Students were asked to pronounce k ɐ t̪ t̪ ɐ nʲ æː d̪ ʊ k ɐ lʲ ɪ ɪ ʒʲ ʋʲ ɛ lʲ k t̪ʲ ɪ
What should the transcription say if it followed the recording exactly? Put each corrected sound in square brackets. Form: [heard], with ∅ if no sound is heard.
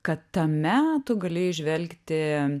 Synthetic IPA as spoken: k ɐ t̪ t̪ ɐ [mʲ] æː [t̪] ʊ [ɡ] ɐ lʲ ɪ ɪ ʒʲ ʋʲ ɛ lʲ k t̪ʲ ɪ